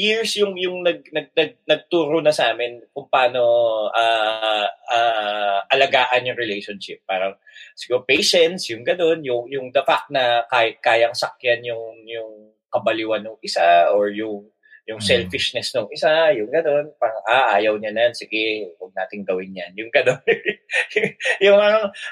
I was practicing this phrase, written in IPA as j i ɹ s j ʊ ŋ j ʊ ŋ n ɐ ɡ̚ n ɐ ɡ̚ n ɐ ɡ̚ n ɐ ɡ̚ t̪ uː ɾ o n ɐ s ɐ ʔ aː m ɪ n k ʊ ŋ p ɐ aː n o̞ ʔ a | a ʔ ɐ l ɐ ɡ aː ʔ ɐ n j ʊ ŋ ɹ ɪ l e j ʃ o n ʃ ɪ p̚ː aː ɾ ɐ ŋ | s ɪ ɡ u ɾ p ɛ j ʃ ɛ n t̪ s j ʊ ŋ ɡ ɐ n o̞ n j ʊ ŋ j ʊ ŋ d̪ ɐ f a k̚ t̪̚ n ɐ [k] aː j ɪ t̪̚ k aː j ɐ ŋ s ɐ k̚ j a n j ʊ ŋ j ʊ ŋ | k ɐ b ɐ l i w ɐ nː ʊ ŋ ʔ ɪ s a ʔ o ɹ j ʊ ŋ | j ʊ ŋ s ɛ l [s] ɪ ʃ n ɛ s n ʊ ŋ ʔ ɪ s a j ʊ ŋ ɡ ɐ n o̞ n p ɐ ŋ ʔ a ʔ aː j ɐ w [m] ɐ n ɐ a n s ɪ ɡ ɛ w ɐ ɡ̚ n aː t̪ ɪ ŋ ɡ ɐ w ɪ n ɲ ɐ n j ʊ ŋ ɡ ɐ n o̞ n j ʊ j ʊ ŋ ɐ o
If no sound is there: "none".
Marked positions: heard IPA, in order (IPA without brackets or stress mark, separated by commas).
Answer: k, f, ɲ